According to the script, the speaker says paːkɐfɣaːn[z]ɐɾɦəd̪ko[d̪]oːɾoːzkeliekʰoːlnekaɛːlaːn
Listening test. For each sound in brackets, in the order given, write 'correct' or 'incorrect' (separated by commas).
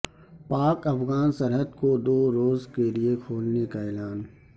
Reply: incorrect, correct